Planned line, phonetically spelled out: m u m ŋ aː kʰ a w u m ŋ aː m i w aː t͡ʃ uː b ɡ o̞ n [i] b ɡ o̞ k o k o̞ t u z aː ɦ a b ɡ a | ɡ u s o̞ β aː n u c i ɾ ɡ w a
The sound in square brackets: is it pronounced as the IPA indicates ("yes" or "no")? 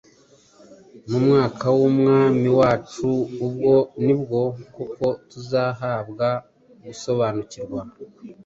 yes